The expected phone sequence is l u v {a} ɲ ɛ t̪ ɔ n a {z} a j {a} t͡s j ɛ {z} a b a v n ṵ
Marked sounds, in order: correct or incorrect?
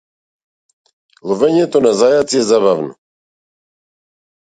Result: incorrect: ɛ, correct, correct, correct

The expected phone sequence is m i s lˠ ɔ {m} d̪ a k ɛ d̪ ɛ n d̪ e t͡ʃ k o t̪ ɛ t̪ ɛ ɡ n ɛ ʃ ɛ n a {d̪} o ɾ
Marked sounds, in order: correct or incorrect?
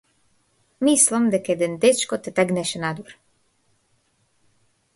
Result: correct, correct

